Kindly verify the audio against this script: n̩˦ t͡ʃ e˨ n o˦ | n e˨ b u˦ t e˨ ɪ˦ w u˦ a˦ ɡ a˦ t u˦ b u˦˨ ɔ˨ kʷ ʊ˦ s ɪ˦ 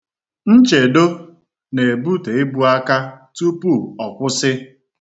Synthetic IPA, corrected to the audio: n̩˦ t͡ʃ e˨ d o˦ | n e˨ b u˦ t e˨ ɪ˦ b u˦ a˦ k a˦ t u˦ p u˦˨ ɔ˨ kʷ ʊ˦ s ɪ˦